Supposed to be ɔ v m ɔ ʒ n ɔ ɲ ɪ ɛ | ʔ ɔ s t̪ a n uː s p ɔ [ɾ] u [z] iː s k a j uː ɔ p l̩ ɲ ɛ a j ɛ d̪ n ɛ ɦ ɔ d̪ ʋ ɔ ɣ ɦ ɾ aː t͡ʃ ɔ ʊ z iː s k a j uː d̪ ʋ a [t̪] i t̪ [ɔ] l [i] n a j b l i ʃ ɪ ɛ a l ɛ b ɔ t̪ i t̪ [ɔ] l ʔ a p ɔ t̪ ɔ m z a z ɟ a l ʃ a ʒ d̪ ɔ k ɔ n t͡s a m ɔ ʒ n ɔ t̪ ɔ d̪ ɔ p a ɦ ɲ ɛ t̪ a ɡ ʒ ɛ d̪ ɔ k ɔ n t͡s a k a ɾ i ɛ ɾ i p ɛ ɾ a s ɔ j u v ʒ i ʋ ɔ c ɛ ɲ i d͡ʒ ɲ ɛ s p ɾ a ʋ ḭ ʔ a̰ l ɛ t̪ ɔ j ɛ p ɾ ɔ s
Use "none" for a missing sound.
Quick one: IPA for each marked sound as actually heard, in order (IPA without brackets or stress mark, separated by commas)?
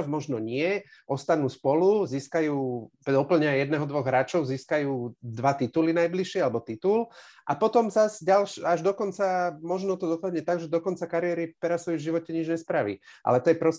l, z, t̪, u, i, u